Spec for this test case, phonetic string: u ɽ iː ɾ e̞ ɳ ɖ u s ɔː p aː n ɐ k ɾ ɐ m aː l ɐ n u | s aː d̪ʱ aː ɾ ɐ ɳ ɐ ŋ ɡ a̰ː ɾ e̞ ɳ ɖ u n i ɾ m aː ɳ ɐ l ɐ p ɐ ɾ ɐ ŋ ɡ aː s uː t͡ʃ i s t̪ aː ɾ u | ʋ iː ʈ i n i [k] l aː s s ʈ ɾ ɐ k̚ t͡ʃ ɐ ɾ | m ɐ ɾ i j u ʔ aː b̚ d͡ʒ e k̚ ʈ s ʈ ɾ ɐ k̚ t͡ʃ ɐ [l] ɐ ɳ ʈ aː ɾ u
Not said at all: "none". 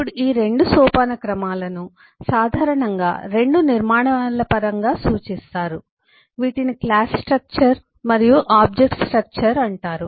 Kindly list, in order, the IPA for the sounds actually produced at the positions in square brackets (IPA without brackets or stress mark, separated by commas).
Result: k, ɾ